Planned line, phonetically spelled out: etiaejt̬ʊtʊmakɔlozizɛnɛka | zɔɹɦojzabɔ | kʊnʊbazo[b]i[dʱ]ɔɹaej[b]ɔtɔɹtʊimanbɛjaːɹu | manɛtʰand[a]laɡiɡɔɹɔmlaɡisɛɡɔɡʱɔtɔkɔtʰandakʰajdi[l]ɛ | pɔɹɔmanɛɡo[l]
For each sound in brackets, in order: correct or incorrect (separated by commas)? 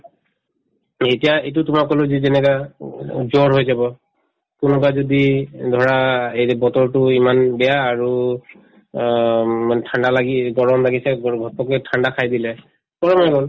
incorrect, correct, correct, correct, correct, correct